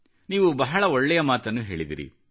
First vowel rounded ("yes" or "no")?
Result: no